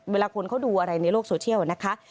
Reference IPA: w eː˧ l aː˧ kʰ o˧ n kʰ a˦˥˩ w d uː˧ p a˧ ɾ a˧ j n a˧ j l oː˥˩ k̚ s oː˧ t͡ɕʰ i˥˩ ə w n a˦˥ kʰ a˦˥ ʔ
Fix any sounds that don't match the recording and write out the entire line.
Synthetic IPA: w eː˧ l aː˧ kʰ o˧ n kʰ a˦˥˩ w d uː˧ ʔ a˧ ɾ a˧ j n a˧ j l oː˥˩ k̚ s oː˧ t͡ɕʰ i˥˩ ə w n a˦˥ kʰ a˦˥ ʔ